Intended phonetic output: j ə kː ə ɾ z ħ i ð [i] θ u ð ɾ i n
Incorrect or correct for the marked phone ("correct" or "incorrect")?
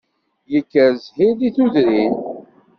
correct